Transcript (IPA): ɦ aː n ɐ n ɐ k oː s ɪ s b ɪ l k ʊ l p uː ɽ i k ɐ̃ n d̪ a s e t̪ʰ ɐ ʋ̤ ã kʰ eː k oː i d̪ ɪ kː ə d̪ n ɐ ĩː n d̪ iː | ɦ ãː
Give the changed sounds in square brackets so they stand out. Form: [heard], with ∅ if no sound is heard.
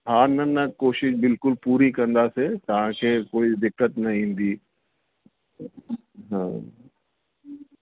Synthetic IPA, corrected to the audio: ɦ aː n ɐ n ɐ k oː [ʃ] ɪ [ʃ] b ɪ l k ʊ l p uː [ɾ] i k ɐ̃ n d̪ a s e [t̪] ɐ ʋ̤ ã kʰ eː k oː i d̪ ɪ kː ə [t̪] n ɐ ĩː n d̪ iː | ɦ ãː